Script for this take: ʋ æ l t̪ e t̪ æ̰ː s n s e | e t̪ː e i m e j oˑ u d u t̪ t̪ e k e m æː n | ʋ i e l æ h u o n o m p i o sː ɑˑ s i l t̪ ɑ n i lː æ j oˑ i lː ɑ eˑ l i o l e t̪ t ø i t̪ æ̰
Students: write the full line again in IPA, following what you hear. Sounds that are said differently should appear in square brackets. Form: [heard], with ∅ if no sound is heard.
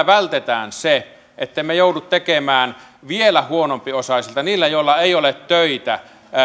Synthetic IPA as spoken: ʋ æ l t̪ e t̪ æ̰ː [∅] n s e | e t̪ː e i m e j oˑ u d u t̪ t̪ e k e m æː n | ʋ i e l æ h u o n o m p i o [s] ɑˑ s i l t̪ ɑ n [iː] lː æ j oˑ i lː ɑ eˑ [∅] i o l e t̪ t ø i t̪ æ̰